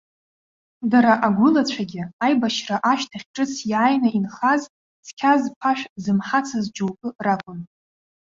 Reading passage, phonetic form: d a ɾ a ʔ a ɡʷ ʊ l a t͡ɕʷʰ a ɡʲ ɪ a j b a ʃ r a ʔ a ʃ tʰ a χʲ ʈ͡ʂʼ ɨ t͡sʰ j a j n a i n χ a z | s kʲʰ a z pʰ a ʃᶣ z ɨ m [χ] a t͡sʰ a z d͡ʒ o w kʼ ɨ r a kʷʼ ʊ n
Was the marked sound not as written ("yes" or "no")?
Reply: yes